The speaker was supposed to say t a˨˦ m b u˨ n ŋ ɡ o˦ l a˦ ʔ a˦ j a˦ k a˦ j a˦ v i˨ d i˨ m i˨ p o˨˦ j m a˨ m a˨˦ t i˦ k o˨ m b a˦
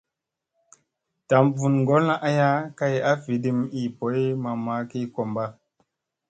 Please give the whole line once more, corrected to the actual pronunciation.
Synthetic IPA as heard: t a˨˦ m v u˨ n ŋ ɡ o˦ l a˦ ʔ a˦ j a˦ k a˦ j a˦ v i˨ d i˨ m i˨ p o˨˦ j m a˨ m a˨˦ k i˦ k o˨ m b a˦